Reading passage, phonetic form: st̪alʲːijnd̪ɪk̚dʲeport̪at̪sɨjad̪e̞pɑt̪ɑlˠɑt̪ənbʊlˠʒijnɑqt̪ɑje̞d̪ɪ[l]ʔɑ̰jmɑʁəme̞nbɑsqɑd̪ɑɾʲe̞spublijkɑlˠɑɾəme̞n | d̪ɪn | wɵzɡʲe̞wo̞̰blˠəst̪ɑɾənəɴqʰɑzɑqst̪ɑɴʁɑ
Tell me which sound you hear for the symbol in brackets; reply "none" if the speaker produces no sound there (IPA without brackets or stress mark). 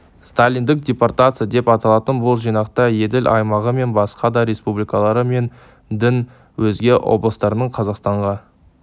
l